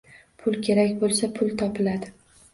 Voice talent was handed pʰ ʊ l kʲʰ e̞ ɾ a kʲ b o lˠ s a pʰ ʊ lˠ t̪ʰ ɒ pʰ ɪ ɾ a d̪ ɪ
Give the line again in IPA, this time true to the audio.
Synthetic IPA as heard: pʰ ʊ l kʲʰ e̞ ɾ a kʲ b o lˠ s a pʰ ʊ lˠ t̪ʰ ɒ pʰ ɪ l a d̪ ɪ